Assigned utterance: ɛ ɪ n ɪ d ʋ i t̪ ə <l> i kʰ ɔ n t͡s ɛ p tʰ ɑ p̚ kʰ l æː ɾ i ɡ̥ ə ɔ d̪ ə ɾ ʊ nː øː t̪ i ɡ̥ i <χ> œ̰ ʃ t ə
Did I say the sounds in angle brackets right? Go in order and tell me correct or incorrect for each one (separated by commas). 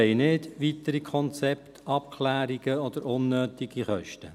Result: incorrect, correct